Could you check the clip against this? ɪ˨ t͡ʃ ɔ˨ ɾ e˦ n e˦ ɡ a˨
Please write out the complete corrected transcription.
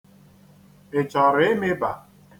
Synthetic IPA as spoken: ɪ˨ t͡ʃ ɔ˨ ɾ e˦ m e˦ b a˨